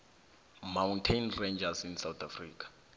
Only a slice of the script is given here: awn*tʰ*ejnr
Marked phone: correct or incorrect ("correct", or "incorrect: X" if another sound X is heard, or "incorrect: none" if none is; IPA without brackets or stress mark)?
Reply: correct